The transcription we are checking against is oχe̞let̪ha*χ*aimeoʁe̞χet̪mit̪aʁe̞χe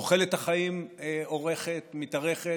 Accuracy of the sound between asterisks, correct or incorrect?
correct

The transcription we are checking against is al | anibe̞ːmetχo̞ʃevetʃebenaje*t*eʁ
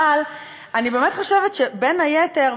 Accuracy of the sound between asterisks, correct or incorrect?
correct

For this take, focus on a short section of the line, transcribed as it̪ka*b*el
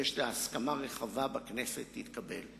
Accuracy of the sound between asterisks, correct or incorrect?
correct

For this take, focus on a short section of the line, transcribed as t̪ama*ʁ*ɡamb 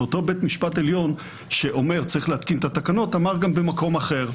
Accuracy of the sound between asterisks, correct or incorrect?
correct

